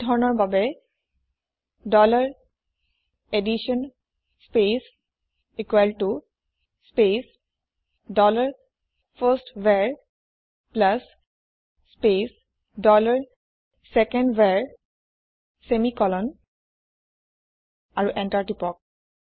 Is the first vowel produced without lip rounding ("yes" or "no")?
no